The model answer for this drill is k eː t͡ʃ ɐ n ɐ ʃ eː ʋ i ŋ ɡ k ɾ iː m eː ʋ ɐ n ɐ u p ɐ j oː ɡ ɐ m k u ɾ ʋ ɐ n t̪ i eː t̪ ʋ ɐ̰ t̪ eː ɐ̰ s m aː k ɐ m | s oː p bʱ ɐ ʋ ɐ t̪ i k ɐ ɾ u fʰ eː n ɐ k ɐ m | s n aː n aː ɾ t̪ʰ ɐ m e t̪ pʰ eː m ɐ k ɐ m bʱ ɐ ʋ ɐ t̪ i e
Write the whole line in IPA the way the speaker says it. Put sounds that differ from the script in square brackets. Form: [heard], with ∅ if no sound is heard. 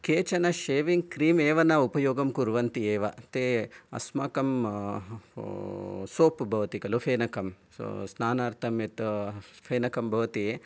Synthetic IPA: k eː t͡ʃ ɐ n ɐ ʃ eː ʋ i ŋ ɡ k ɾ iː m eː ʋ ɐ n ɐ u p ɐ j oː ɡ ɐ m k u ɾ ʋ ɐ n t̪ i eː [∅] ʋ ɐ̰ t̪ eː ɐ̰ s m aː k ɐ m | s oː p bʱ ɐ ʋ ɐ t̪ i k ɐ [l] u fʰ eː n ɐ k ɐ m | s n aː n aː ɾ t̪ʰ ɐ m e t̪ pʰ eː [n] ɐ k ɐ m bʱ ɐ ʋ ɐ t̪ i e